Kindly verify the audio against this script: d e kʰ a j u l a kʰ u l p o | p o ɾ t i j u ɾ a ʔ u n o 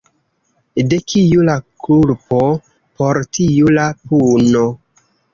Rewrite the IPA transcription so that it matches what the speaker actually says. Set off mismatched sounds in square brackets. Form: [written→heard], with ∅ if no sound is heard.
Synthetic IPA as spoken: d e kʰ [a→i] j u l a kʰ u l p o | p o ɾ t i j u [ɾ→l] a [ʔ→p] u n o